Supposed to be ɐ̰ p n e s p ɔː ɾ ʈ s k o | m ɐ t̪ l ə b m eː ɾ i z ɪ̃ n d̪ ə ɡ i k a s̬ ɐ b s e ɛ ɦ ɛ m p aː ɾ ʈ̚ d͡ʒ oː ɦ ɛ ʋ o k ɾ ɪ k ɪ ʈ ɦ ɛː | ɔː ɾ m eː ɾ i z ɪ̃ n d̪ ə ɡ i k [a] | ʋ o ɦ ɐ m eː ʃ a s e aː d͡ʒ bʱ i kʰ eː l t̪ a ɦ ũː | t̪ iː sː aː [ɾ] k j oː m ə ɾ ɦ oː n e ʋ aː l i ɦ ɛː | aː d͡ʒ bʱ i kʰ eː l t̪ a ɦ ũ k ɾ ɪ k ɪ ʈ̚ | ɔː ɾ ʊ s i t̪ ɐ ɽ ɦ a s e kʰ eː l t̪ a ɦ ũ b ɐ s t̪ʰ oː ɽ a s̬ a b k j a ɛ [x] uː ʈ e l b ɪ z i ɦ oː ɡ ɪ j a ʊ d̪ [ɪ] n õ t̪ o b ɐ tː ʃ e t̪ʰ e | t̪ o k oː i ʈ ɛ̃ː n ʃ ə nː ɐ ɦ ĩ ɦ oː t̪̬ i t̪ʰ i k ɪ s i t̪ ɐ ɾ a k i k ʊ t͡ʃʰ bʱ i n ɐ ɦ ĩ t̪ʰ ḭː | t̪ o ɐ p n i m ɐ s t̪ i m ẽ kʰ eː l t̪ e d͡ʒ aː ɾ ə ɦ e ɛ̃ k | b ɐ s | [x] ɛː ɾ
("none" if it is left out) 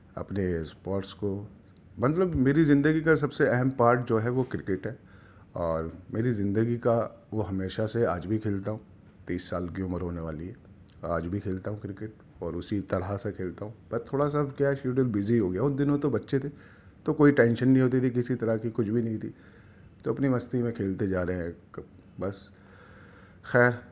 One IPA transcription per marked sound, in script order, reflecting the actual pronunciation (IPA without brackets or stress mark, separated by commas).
a, l, ʃ, ɪ, x